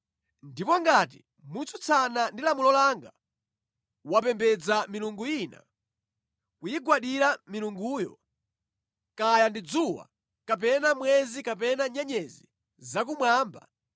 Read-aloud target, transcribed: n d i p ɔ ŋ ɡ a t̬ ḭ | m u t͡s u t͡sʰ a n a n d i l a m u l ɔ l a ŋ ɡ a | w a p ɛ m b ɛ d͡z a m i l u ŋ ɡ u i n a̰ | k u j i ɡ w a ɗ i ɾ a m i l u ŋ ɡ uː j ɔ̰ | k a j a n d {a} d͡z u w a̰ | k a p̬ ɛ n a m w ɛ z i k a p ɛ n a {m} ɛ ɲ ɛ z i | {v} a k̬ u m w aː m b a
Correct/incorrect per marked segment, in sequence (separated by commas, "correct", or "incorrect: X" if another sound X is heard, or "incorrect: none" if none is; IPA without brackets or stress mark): incorrect: i, incorrect: ɲ, incorrect: z